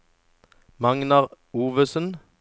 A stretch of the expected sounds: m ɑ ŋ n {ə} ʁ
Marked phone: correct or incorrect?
incorrect